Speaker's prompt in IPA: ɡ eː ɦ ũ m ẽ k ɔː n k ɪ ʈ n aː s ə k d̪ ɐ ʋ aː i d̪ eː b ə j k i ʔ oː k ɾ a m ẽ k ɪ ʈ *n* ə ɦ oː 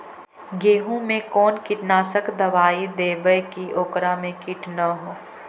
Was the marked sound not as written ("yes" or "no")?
no